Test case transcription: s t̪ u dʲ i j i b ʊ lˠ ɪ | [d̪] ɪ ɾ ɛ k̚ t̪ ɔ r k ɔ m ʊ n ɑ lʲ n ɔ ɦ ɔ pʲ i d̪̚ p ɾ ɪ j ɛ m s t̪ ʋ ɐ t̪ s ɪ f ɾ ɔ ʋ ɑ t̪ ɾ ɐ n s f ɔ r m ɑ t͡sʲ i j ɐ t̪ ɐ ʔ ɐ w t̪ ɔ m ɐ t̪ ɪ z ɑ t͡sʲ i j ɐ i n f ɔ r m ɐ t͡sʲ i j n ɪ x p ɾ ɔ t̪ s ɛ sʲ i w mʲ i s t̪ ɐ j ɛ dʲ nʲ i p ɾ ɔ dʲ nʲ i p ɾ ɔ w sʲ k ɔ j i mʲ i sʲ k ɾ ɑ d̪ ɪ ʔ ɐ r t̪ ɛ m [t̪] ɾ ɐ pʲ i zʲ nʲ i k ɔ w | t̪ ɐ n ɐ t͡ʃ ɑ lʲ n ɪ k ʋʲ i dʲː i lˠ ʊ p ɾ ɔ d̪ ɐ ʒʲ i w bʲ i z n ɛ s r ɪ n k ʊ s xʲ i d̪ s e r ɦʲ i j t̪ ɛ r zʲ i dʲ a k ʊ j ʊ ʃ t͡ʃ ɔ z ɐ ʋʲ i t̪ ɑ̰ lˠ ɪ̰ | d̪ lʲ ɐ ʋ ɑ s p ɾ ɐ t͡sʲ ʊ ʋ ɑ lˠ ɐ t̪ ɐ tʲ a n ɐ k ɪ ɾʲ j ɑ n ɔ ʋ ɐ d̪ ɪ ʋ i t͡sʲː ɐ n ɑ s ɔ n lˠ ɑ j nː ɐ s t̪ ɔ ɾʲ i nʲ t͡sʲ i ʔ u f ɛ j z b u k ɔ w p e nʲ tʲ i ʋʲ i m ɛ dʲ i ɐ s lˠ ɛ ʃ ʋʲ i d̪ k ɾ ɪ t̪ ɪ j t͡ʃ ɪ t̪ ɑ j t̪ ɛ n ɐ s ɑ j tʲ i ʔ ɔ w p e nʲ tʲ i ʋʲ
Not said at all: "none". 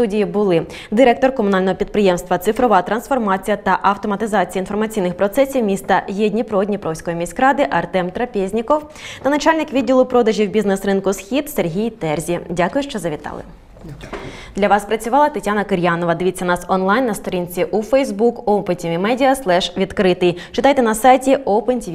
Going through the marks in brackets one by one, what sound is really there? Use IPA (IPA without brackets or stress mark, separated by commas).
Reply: d̪, t̪